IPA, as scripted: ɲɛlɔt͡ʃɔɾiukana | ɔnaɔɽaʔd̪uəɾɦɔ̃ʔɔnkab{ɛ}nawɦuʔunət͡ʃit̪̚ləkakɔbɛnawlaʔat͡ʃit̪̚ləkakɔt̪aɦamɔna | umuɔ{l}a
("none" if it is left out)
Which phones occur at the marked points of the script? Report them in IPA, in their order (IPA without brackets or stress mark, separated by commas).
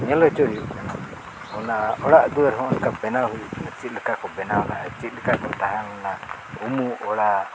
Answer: ɛ, ɽ